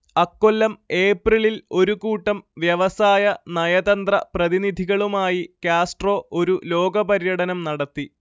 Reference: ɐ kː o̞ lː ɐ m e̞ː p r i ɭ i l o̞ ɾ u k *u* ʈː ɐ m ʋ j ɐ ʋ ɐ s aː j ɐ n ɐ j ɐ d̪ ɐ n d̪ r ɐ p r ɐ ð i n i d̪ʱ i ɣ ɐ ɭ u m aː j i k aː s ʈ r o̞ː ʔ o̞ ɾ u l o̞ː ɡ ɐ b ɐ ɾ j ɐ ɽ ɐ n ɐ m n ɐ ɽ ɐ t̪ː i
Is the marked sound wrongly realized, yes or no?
yes